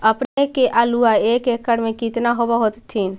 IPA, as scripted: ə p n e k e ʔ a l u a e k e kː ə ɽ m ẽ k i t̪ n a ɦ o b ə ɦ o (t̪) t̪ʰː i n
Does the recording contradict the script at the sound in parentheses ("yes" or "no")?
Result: no